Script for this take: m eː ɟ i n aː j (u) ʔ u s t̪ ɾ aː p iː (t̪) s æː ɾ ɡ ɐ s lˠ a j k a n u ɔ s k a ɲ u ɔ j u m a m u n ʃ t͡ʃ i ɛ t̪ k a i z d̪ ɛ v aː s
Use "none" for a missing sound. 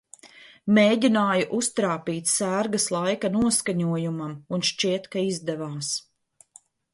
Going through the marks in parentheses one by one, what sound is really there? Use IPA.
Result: u, t̪

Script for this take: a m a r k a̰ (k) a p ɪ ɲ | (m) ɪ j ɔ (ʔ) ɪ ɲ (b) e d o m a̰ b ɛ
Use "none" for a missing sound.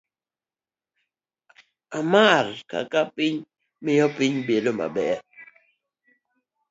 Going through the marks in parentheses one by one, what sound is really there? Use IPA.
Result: k, m, p, b

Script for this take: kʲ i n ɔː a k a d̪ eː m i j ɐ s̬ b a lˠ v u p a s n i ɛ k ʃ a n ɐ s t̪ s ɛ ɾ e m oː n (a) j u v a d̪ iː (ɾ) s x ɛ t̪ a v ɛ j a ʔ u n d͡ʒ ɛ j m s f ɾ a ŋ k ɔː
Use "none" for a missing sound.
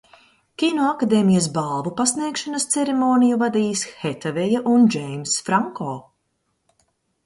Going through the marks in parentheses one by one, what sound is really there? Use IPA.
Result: i, none

